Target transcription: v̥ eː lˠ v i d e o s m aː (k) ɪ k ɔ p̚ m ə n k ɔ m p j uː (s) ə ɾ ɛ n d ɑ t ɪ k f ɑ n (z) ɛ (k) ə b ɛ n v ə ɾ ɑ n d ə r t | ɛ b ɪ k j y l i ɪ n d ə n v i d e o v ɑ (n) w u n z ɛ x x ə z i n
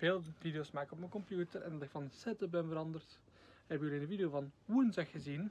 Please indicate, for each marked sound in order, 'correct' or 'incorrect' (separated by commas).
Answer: correct, incorrect, incorrect, incorrect, correct